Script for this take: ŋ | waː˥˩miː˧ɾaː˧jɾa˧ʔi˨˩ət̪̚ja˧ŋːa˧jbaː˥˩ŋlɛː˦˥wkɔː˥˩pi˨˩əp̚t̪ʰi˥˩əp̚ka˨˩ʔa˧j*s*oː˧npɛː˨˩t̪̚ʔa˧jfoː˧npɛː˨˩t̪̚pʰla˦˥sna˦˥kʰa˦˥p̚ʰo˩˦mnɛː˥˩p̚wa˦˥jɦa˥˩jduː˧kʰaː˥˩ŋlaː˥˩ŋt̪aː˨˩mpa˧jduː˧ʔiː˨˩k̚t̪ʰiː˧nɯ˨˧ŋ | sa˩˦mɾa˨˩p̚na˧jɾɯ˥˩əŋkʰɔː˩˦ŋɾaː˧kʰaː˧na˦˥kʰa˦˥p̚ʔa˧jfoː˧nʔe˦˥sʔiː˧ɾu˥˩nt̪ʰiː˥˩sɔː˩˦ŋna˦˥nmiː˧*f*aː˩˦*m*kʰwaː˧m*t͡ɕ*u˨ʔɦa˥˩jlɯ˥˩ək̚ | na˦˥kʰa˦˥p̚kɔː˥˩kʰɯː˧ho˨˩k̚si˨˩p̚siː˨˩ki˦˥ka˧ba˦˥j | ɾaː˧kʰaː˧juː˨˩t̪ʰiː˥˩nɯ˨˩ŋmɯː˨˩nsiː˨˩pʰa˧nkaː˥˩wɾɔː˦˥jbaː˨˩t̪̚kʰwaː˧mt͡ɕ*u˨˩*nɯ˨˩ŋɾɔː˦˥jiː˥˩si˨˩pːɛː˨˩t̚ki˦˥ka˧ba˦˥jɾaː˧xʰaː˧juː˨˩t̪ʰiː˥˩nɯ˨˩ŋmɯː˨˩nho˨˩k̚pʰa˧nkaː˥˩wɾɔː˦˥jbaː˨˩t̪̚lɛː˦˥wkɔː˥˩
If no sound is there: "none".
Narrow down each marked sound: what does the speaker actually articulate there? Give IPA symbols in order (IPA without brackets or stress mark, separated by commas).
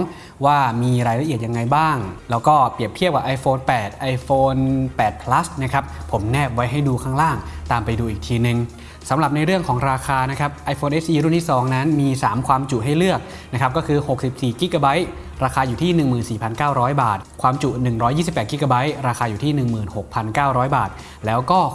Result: f, s, m, t͡ɕ, u˨˩